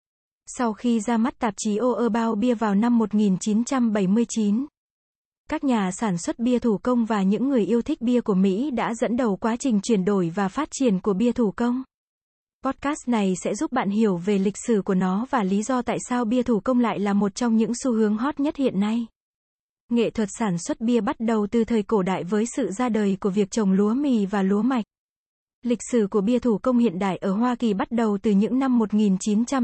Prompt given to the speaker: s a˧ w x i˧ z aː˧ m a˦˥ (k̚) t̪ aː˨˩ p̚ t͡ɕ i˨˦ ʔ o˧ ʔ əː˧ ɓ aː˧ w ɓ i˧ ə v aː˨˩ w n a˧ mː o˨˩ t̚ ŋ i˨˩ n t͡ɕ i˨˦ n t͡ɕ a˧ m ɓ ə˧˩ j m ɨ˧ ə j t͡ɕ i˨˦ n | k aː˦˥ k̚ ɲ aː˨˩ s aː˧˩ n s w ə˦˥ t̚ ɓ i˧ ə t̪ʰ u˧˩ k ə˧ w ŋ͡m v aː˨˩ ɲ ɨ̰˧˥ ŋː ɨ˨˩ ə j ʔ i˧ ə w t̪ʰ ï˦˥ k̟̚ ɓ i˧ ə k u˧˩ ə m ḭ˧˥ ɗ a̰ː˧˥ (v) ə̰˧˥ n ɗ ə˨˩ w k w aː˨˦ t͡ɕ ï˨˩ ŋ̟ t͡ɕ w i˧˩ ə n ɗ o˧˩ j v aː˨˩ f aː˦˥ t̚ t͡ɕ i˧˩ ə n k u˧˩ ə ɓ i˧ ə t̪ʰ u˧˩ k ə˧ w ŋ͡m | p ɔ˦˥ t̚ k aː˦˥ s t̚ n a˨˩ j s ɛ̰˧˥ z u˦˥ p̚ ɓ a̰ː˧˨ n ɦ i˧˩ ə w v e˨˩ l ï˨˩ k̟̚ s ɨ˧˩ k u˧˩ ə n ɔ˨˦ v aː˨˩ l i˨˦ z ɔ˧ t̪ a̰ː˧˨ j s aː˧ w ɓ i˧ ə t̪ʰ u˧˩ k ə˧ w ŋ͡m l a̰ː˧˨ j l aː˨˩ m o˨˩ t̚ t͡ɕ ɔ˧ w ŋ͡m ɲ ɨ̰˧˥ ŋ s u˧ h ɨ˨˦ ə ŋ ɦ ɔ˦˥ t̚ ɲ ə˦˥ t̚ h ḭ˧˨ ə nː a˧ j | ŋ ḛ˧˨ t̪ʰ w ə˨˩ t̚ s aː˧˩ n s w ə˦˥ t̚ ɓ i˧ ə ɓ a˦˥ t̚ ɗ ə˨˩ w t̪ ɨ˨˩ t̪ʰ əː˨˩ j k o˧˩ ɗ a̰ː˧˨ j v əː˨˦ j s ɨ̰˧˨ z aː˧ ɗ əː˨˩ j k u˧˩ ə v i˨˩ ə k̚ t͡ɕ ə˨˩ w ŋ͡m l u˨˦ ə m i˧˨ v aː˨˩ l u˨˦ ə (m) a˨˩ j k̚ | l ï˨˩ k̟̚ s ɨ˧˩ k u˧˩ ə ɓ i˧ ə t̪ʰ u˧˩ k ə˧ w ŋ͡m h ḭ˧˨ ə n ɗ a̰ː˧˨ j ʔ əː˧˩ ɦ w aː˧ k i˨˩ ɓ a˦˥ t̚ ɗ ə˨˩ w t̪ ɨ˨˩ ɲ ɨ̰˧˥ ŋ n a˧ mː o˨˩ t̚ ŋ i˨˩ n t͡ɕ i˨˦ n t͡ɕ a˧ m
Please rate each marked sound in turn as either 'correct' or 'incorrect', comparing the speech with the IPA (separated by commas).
incorrect, incorrect, correct